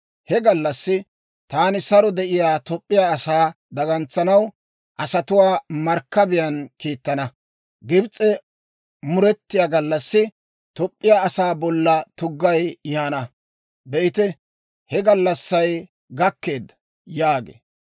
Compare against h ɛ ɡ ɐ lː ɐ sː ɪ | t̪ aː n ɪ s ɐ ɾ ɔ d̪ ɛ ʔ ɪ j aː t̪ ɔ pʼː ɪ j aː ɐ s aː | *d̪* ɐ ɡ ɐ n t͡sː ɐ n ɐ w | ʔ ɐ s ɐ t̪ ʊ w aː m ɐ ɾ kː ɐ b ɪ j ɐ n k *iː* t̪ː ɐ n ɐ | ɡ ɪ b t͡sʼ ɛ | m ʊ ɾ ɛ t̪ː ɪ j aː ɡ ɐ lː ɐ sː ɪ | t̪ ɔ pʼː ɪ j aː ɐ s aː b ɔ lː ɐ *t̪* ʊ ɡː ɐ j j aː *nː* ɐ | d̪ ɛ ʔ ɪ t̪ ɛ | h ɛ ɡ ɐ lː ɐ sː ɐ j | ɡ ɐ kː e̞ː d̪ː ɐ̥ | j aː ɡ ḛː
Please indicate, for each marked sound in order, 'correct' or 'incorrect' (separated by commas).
correct, correct, correct, incorrect